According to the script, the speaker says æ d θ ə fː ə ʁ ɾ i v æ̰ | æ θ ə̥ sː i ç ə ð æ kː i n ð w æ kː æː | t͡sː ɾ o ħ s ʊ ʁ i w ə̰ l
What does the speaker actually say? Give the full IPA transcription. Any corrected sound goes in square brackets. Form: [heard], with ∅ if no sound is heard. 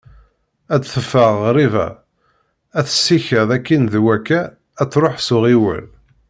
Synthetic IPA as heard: æ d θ ə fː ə ʁ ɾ i v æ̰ | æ θ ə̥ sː i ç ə ð æ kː i n ð w æ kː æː | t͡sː ɾ o ħ s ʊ ʁ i w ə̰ l